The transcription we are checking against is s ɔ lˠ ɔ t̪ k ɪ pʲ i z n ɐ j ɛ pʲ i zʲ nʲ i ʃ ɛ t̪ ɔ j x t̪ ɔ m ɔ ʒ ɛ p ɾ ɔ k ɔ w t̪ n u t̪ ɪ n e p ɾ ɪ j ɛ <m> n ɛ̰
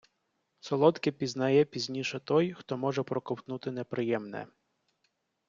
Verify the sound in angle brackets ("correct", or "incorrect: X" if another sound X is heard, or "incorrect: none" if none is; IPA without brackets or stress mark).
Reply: correct